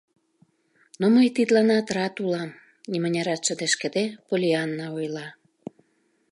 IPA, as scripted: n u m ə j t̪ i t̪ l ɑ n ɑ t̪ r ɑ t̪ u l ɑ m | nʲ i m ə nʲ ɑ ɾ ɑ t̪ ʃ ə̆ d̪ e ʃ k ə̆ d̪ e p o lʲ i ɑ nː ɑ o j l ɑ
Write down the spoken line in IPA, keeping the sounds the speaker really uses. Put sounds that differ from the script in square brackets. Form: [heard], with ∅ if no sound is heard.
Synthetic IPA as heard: n [o] m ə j t̪ i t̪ l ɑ n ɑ t̪ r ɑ t̪ u l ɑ m | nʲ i m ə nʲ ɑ ɾ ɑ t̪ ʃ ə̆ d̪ e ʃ k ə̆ d̪ e p o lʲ i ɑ nː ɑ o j l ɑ